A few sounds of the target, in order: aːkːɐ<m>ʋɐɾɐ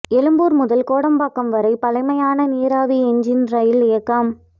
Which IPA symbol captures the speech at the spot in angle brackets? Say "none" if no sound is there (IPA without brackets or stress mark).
m